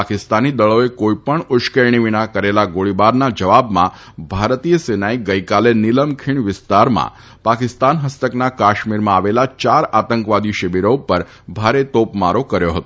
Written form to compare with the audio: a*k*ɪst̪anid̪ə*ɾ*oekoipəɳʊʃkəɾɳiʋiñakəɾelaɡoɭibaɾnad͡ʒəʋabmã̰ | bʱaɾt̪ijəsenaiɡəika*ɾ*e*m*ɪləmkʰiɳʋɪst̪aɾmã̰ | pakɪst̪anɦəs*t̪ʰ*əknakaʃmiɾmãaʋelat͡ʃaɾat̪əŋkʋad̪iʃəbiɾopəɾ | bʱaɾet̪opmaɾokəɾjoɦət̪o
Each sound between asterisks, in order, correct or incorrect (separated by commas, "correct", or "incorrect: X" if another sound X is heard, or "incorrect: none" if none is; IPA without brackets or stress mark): correct, incorrect: ɭ, incorrect: l, incorrect: n, incorrect: t̪